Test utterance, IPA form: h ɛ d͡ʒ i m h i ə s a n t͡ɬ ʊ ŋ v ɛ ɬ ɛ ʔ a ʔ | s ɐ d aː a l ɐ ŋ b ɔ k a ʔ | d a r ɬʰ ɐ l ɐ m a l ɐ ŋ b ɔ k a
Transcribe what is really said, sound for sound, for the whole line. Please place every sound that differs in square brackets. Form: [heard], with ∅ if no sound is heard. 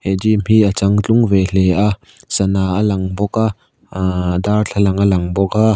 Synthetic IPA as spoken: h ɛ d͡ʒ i m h i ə [t͡s] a [ŋ] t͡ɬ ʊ ŋ v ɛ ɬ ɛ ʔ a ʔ | s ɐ [n] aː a l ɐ ŋ b ɔ k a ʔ | d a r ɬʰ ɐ l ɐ [ŋ] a l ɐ ŋ b ɔ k a